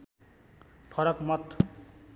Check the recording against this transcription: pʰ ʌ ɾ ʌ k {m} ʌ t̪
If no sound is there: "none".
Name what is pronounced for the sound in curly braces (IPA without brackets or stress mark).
m